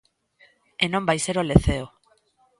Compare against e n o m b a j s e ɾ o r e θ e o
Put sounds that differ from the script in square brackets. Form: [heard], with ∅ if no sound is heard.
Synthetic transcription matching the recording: e n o m b a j s e ɾ o [l] e θ e o